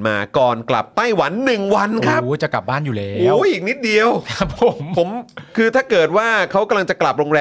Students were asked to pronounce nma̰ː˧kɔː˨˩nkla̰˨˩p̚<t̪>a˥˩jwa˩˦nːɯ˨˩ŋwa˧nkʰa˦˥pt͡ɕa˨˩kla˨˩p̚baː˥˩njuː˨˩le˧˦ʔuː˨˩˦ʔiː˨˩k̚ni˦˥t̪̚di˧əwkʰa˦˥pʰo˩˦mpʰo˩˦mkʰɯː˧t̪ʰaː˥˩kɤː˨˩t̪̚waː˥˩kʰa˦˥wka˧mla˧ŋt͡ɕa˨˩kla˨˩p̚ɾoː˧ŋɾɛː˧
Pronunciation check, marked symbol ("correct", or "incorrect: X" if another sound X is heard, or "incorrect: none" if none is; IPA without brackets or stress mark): correct